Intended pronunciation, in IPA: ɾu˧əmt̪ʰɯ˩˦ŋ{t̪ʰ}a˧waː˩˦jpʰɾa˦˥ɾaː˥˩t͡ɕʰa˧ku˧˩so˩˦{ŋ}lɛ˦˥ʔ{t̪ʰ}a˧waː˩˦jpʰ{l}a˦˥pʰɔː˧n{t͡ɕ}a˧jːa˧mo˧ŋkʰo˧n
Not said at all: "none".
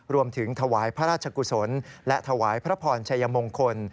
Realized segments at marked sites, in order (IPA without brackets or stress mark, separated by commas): t̪ʰ, n, t̪ʰ, ɾ, t͡ɕʰ